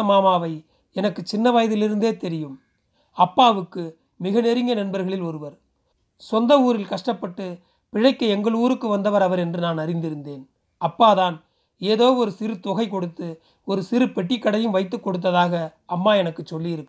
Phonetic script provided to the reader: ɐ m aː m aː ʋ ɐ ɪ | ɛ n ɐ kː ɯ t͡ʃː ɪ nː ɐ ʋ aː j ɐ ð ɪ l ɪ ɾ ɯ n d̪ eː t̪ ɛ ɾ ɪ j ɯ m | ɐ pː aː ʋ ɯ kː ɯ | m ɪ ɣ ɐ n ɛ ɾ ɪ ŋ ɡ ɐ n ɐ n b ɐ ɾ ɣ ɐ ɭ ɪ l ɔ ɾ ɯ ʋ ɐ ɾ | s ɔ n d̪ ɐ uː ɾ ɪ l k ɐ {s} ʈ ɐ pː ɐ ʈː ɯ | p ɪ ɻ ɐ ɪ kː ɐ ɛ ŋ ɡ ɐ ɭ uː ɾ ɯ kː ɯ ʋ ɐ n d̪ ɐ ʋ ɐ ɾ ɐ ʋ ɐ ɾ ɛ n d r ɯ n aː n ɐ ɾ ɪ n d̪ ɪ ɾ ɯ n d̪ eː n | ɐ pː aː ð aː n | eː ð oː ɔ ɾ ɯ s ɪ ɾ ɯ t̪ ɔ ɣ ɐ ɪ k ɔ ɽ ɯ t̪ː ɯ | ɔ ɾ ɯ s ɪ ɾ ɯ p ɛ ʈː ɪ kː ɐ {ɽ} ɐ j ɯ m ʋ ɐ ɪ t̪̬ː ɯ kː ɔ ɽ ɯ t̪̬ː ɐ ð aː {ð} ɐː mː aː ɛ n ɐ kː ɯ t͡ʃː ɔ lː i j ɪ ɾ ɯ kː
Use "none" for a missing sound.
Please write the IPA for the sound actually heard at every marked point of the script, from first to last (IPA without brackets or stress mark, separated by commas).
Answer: ʂ, ɽ, ɣ